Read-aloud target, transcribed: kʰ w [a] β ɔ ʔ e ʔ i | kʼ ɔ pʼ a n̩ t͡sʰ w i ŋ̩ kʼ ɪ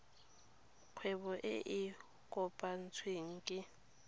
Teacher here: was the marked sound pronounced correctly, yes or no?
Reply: no